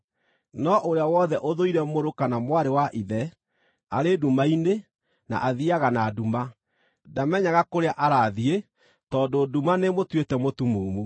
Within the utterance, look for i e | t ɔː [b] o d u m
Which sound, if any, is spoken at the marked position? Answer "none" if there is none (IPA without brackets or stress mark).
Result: d